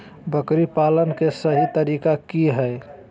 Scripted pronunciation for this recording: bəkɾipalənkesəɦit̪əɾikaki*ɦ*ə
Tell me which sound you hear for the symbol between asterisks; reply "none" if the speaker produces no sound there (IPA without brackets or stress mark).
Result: ɦ